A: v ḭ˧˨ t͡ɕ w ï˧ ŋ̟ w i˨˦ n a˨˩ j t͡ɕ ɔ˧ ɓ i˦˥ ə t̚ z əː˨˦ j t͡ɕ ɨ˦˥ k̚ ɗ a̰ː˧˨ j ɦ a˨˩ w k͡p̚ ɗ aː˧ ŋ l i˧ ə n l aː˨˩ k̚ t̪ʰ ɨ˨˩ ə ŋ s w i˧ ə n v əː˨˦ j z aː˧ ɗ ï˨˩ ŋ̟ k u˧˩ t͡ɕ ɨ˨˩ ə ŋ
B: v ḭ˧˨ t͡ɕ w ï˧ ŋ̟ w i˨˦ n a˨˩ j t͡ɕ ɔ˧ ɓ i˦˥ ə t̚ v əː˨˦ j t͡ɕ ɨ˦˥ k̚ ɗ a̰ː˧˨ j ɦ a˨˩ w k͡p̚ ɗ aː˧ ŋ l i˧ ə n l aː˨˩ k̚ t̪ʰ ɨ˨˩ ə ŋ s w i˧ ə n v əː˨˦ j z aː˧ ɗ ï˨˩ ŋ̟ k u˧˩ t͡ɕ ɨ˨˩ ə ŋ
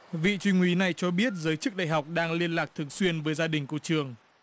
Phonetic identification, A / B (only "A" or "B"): A